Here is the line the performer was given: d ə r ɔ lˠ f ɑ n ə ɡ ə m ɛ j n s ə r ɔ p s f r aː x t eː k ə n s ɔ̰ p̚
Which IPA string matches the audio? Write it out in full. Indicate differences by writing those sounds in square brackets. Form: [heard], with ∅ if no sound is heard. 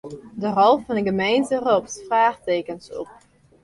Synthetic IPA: d ə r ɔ lˠ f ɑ n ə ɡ ə m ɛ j n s ə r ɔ p s f r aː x t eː k ə n s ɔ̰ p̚